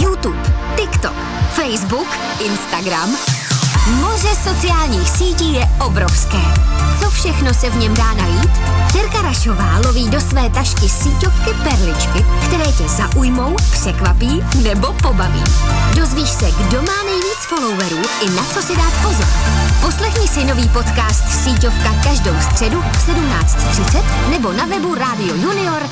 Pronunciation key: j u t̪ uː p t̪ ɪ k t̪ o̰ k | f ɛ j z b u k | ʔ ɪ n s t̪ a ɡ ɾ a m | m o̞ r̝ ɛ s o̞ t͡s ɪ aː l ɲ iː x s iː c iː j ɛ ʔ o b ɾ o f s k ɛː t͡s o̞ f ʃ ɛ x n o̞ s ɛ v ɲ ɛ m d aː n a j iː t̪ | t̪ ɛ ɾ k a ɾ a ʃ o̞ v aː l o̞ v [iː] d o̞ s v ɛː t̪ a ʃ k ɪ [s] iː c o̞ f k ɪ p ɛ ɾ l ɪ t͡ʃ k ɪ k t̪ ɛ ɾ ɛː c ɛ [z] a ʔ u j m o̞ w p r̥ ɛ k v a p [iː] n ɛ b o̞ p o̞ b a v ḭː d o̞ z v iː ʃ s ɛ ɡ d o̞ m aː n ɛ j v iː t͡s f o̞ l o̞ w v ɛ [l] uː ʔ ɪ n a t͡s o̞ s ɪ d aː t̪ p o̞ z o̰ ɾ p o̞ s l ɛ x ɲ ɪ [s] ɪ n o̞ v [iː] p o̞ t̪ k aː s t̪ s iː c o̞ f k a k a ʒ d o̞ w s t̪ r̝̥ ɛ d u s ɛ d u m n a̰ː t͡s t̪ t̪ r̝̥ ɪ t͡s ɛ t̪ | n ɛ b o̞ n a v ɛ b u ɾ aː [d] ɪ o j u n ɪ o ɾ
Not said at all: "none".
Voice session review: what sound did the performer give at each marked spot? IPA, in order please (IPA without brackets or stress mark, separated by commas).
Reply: iː, s, z, iː, ɾ, s, iː, d